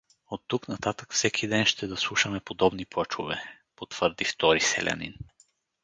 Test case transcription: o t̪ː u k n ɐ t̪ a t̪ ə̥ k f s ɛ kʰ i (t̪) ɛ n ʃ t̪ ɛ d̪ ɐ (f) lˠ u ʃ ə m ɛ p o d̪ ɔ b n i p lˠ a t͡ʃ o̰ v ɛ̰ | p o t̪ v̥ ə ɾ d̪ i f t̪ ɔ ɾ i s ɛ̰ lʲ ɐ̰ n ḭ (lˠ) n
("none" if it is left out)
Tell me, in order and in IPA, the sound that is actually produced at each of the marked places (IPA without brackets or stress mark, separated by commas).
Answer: d̪, s, none